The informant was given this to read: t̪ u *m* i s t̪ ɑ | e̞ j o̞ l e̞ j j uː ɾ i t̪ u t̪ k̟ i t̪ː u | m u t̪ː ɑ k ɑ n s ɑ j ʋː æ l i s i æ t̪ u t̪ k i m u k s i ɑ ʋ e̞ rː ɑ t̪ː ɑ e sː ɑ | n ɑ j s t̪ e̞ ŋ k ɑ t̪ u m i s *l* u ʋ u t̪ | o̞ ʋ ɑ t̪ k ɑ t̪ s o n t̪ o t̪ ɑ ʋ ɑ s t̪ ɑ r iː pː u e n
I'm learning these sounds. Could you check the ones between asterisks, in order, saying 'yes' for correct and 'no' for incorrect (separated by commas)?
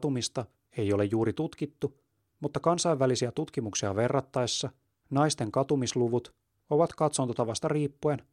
yes, yes